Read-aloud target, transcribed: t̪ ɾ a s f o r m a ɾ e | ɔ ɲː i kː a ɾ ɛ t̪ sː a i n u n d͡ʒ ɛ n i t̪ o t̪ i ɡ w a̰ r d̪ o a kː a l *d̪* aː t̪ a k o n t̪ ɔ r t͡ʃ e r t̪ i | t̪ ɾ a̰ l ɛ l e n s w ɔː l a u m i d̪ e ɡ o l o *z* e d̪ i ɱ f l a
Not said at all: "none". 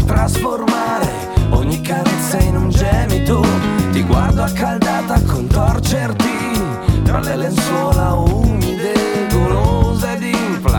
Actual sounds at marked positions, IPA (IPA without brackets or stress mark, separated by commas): d̪, z